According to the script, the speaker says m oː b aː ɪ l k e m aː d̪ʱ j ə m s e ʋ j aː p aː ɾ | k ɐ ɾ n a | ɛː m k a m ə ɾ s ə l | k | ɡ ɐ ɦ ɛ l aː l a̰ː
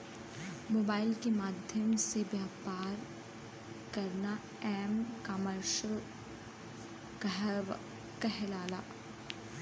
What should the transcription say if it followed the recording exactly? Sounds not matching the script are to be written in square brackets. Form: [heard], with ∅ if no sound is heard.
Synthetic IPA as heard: m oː b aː ɪ l k e m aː d̪ʱ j ə m s e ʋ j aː p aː ɾ | k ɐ ɾ n a | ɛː m k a m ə ɾ [ʃ] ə l | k | [k] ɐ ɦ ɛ l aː l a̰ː

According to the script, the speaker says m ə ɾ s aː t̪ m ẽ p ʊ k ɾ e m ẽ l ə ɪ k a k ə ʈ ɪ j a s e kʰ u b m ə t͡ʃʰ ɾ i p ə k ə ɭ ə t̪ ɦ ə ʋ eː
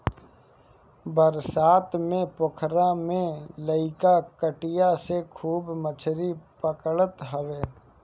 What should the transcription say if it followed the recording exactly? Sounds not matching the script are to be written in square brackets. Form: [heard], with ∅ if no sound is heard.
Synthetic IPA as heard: [b] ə ɾ s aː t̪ m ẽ p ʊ [kʰ] ɾ [a] m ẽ l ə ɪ k a k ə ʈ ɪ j a s e kʰ [uː] b m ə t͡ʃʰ ɾ i p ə k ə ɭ ə t̪ ɦ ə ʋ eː

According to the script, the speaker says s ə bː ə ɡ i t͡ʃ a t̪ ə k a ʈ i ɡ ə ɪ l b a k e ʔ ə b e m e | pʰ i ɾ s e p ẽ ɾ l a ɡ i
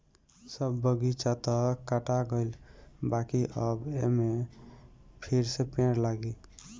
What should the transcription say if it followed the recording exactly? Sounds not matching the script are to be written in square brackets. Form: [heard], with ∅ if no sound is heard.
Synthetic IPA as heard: s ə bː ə ɡ i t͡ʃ a t̪ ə k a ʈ [a] ɡ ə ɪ l b a k [i] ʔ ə b e m e | pʰ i ɾ s e p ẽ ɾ l a ɡ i

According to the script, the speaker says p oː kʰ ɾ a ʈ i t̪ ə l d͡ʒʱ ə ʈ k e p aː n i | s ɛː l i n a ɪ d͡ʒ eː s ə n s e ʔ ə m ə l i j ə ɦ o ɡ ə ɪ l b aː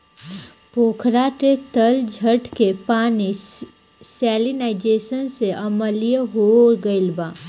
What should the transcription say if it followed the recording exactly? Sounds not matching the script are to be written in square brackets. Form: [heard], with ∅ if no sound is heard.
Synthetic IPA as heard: p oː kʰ ɾ a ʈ [e] t̪ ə l d͡ʒʱ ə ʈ k e p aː n i | s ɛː l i n a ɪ d͡ʒ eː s ə n s e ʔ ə m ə l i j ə ɦ o ɡ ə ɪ l b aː

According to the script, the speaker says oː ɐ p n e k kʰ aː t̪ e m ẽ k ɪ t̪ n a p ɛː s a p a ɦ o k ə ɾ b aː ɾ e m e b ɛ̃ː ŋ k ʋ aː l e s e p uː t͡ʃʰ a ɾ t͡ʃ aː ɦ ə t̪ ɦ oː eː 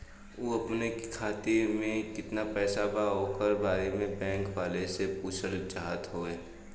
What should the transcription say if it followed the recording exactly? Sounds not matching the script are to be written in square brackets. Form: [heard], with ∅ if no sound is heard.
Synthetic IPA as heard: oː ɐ p n e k kʰ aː t̪ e m ẽ k ɪ t̪ n a p ɛː s a [b] a ɦ o k ə ɾ b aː ɾ e m [ẽ] b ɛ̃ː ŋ k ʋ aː l e s e p uː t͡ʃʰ [ə] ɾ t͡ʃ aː ɦ ə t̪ ɦ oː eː

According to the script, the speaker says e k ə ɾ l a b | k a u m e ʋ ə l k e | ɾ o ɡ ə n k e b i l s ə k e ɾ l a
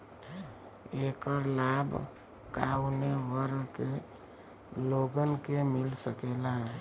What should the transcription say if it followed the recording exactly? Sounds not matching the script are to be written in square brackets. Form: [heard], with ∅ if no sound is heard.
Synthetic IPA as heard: e k ə ɾ l a b | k a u [n] e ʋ ə [ɾ] k e | [l] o ɡ ə n k e [m] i l s ə k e [∅] l a

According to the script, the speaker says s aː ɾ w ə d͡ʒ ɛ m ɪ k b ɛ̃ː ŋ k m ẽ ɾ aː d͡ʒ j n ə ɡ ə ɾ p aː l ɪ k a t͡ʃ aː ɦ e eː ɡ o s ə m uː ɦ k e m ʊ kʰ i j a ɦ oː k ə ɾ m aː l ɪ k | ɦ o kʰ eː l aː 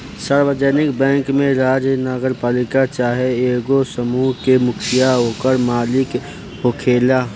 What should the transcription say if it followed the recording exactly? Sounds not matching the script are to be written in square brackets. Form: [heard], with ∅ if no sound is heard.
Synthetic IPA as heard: s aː ɾ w ə d͡ʒ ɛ [n] ɪ k b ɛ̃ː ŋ k m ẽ ɾ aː d͡ʒ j n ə ɡ ə ɾ p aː l ɪ k a t͡ʃ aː ɦ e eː ɡ o s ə m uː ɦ k e m ʊ kʰ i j a ɦ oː k ə ɾ m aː l ɪ k | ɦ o kʰ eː l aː

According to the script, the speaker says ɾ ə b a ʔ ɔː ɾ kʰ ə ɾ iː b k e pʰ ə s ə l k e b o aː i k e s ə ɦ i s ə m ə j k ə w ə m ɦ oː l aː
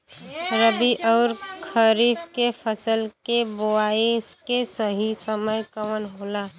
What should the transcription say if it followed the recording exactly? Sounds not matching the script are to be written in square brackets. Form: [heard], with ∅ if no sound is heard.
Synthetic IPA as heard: ɾ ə b [i] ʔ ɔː ɾ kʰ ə ɾ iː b k e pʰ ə s ə l k e b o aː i k e s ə ɦ i s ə m ə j k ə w ə [n] ɦ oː l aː

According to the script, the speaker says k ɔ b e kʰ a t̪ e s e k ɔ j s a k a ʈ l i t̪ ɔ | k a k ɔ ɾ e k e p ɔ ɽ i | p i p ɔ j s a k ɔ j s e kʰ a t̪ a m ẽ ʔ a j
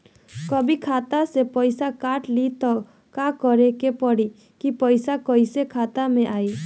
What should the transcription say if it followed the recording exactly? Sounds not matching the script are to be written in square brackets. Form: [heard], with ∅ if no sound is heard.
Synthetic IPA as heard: k ɔ b [i] kʰ a t̪ [a] s e [p] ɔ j s a k a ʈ l i t̪ ɔ | k a k ɔ ɾ e k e p ɔ ɽ i | [k] i p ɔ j s a k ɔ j s e kʰ a t̪ a m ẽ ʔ a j

